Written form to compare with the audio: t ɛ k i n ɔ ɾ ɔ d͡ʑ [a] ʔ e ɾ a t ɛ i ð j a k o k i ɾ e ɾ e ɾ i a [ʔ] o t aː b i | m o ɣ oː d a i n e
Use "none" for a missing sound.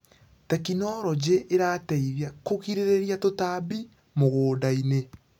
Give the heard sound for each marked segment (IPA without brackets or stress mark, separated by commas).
e, t